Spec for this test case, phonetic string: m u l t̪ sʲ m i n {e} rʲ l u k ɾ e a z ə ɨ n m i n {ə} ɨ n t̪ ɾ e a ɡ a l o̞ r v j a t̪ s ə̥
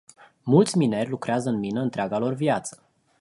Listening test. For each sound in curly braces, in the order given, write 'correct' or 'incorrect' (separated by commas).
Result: correct, correct